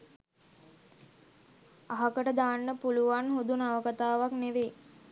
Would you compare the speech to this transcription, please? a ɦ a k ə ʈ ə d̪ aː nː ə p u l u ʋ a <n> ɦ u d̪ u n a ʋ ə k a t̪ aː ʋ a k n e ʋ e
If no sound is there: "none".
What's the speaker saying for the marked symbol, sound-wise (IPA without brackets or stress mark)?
n